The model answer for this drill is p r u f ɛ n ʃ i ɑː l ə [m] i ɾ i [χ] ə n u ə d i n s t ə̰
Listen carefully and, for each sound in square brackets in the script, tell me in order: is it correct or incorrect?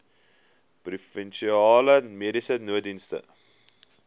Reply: correct, incorrect: s

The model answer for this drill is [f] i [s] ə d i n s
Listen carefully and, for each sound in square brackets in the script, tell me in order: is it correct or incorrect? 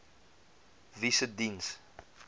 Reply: incorrect: v, correct

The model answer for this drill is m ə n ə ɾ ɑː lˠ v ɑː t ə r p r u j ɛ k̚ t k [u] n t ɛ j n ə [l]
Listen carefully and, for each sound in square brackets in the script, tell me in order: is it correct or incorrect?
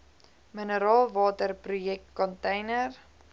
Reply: incorrect: ɔ, incorrect: r

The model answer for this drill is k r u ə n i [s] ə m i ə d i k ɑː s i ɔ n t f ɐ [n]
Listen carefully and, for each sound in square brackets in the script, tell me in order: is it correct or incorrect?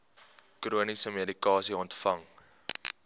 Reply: correct, incorrect: ŋ

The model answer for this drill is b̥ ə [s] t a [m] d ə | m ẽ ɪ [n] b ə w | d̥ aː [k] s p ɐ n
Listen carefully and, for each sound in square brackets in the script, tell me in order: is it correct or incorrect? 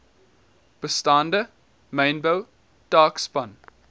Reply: correct, incorrect: n, correct, correct

